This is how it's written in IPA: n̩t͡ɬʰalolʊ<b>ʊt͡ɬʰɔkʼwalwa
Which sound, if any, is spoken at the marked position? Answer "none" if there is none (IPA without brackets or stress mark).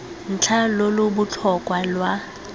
b